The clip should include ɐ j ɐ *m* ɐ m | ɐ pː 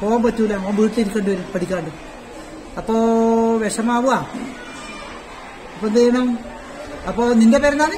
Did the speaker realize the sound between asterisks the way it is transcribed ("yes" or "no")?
no